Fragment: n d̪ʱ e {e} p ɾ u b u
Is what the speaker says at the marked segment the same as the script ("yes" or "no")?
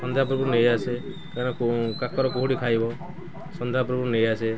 no